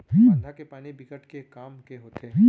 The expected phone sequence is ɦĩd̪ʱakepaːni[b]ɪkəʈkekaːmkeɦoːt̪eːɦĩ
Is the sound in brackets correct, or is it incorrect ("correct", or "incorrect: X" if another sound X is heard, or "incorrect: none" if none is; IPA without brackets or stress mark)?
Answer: correct